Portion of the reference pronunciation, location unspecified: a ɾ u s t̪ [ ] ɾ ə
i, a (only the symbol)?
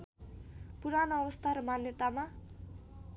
a